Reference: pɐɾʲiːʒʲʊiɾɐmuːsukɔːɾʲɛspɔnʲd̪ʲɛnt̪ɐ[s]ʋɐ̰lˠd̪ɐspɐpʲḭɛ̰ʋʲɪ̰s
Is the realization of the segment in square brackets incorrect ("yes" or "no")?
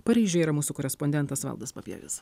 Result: no